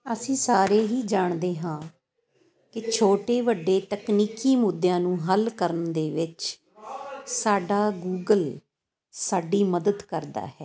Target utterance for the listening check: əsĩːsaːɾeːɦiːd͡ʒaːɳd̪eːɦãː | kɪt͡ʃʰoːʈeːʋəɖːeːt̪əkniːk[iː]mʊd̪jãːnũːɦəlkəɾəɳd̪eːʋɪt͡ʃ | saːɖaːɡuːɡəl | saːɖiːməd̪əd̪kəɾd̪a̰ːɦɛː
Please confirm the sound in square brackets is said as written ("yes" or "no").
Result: yes